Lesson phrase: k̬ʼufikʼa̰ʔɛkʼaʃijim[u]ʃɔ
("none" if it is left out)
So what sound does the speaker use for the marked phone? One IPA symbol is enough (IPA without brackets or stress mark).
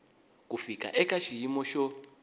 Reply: ɔ